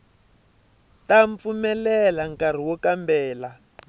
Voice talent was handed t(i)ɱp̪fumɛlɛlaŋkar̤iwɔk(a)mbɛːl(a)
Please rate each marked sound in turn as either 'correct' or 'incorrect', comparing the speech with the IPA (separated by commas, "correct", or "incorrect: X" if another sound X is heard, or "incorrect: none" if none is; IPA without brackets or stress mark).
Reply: incorrect: a, correct, correct